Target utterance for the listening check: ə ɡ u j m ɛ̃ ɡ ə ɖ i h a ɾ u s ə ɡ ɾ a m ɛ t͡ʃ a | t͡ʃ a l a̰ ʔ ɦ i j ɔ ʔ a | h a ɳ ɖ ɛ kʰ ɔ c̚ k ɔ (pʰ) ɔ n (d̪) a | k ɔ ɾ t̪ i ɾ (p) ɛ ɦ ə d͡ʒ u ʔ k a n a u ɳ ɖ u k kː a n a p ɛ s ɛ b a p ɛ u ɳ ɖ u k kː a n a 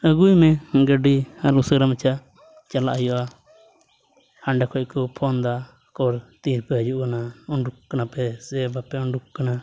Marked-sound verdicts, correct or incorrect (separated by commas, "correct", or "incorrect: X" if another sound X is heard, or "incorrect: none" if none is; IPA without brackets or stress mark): correct, correct, correct